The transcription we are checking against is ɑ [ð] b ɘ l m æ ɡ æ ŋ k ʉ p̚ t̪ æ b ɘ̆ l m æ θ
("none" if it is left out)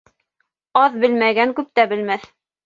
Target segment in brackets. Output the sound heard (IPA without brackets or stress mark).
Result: ð